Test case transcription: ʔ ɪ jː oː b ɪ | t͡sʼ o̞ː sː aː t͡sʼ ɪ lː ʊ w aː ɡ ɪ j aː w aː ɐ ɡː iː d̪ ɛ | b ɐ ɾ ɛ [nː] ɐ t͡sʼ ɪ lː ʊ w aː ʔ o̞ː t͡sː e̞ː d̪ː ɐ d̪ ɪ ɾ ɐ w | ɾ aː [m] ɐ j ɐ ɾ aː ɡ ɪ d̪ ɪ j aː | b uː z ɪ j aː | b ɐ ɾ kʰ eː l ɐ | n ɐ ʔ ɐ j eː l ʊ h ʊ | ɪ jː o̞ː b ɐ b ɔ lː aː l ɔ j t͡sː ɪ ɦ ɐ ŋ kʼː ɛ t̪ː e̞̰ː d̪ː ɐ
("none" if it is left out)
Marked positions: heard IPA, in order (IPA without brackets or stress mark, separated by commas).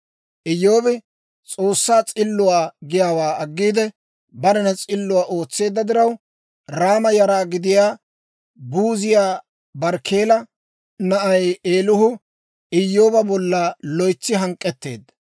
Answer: n, m